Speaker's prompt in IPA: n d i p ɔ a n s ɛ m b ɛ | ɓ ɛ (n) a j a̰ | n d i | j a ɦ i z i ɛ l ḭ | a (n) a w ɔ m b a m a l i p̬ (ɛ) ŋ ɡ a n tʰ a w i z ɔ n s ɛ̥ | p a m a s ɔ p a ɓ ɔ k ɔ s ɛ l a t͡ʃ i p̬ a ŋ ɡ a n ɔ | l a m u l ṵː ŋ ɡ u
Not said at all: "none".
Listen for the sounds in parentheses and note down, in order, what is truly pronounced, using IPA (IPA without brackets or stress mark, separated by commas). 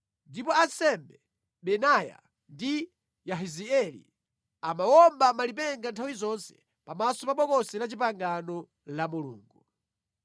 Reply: n, m, ɛ